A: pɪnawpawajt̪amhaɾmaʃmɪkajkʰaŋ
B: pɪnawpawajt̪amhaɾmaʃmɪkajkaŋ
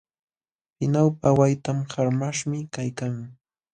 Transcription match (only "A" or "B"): B